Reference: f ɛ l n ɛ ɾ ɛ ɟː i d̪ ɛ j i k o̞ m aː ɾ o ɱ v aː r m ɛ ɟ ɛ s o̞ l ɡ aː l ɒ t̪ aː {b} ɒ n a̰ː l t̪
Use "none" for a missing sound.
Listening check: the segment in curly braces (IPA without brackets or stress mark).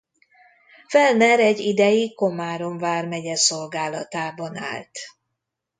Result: b